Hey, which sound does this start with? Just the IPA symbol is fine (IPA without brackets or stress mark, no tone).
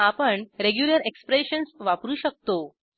a